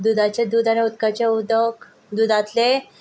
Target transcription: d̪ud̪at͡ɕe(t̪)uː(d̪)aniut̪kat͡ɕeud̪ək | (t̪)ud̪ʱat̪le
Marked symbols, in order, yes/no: no, yes, no

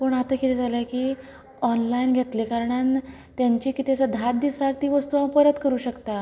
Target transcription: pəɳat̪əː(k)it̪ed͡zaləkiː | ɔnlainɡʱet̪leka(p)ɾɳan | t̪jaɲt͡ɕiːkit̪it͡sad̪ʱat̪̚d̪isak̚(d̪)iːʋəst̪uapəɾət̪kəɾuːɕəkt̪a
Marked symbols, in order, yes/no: yes, no, no

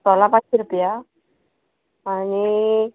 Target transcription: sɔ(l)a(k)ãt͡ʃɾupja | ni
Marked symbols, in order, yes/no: yes, no

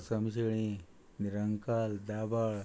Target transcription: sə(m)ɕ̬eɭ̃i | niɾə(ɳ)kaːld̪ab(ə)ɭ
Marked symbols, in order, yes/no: yes, no, no

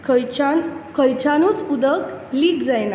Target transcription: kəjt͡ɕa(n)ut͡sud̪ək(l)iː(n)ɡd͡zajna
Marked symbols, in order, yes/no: yes, yes, no

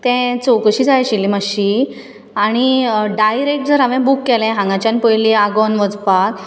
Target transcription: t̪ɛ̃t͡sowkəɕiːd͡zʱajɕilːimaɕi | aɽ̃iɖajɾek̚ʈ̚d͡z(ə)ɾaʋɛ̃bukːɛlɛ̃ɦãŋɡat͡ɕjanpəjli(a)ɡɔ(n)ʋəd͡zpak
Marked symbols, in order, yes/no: yes, yes, yes

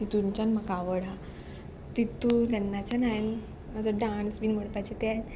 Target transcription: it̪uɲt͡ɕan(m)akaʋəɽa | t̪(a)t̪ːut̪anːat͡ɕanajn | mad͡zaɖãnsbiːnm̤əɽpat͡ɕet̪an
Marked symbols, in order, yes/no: yes, no

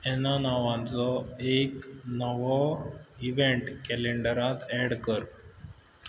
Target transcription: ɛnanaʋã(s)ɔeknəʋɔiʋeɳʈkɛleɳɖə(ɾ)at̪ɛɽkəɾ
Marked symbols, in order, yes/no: no, yes

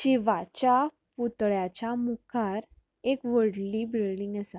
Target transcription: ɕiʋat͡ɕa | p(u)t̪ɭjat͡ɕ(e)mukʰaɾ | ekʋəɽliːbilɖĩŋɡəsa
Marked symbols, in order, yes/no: yes, no

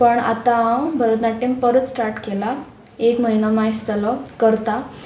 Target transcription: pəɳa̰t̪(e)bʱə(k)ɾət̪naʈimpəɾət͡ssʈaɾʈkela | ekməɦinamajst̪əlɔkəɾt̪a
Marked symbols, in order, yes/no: no, no

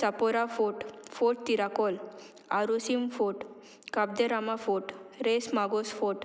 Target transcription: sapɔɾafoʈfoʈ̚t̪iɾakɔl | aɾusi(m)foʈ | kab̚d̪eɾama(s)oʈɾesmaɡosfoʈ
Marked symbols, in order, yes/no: yes, no

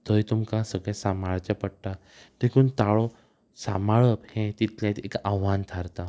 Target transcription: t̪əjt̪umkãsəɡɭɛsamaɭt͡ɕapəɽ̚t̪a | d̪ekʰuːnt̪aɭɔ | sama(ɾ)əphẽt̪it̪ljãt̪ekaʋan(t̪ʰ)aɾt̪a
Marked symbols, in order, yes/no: no, yes

